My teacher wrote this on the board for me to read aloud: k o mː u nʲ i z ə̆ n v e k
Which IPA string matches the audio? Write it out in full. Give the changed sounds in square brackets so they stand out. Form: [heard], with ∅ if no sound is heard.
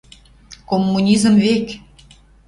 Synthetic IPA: k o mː u nʲ i z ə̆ [m] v e k